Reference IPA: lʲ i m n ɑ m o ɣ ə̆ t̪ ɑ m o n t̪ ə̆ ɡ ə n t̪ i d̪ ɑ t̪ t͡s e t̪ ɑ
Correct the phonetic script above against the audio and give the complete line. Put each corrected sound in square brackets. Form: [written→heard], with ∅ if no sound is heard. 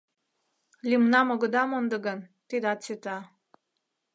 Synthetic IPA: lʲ i m n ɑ m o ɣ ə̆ [t̪→d̪] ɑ m o n [t̪→d̪] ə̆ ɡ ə n t̪ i d̪ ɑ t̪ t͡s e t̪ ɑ